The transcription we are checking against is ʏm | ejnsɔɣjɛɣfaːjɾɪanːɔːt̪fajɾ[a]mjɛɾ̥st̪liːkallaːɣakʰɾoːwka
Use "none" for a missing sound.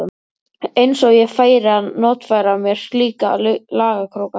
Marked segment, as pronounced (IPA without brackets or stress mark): a